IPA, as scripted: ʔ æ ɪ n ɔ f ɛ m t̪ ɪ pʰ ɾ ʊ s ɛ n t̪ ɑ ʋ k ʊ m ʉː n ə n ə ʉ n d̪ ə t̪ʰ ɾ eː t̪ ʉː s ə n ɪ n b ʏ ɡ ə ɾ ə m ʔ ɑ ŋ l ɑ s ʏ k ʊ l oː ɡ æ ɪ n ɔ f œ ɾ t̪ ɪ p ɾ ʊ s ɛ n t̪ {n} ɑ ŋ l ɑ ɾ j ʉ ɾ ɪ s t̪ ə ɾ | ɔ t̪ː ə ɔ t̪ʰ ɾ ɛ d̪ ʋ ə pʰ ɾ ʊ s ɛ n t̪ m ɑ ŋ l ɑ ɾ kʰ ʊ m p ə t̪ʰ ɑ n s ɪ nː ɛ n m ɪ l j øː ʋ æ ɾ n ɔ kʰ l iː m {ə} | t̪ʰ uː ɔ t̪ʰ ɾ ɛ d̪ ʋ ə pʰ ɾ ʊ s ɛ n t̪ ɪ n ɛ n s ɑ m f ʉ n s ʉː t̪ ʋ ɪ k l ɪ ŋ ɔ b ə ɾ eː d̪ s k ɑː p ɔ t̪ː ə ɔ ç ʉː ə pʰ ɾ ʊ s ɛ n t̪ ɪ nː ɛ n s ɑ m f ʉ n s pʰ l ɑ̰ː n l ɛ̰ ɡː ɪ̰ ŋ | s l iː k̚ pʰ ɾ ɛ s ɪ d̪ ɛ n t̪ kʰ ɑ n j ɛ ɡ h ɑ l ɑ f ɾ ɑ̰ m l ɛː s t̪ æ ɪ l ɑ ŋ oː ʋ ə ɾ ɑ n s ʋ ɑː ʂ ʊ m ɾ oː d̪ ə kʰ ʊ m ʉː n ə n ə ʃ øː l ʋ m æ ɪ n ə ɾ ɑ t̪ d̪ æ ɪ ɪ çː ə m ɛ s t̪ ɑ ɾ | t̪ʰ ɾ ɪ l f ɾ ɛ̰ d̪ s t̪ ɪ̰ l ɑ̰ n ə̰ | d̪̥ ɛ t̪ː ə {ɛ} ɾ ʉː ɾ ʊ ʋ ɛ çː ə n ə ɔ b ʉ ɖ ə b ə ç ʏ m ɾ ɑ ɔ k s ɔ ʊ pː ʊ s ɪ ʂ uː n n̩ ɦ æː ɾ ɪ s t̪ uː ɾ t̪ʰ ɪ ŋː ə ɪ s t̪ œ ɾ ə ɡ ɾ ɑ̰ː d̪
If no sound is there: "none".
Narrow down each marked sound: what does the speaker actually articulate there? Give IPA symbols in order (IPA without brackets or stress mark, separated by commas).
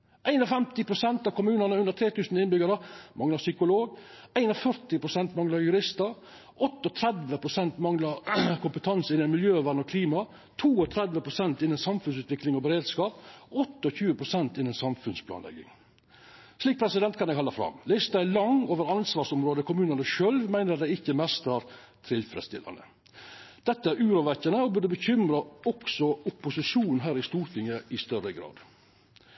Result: m, ɑ, æ